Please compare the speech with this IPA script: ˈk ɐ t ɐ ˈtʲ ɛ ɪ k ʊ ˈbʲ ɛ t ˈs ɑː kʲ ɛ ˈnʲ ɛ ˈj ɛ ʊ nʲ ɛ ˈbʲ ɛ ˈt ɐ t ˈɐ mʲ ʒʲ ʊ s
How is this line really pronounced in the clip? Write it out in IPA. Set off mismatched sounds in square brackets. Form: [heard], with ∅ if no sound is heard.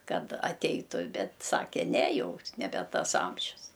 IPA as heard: ˈk ɐ t ɐ ˈtʲ ɛ ɪ [t] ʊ ˈbʲ ɛ t ˈs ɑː kʲ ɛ ˈnʲ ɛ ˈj ɛ ʊ nʲ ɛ ˈbʲ ɛ ˈt ɐ [s] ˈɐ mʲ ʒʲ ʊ s